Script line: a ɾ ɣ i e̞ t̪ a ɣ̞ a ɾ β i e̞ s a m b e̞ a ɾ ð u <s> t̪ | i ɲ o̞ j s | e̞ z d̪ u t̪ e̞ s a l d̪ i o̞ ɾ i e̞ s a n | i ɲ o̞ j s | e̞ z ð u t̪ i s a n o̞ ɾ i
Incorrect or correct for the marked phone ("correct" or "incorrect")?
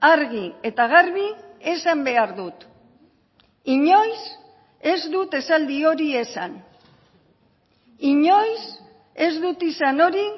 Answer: incorrect